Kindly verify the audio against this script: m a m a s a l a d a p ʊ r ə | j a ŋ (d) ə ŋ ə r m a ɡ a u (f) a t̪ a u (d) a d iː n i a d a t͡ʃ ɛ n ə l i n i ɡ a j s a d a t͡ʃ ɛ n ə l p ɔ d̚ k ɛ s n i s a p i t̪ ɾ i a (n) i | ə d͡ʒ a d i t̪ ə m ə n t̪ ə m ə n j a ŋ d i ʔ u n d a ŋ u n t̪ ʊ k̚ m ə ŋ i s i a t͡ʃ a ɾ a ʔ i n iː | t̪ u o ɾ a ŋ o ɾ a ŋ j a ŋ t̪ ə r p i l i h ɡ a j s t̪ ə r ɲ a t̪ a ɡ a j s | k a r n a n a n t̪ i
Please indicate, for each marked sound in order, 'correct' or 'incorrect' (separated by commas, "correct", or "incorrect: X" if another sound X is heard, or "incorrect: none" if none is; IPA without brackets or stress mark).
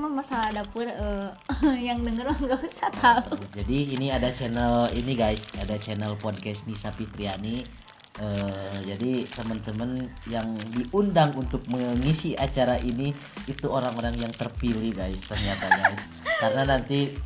correct, incorrect: s, incorrect: d͡ʒ, correct